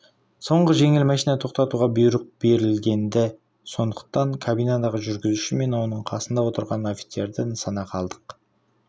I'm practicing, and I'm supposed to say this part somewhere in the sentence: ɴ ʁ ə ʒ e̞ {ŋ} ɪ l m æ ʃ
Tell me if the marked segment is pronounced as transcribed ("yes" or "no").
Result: yes